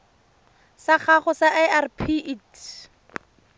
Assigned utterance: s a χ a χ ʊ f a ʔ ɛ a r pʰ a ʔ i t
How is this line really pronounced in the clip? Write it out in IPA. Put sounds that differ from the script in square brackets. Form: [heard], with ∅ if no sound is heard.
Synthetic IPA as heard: s a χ a χ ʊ [s] a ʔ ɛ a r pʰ [i] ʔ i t